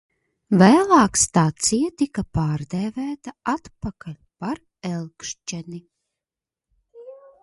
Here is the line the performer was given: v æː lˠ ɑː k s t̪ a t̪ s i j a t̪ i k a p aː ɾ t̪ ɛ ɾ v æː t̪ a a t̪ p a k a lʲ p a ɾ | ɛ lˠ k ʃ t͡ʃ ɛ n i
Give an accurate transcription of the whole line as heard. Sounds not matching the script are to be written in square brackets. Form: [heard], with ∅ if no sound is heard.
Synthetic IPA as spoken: v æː lˠ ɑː k s t̪ a t̪ s i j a t̪ i k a p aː ɾ [d̪] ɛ [∅] v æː t̪ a a t̪ p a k a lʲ p a ɾ | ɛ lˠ k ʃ t͡ʃ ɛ n i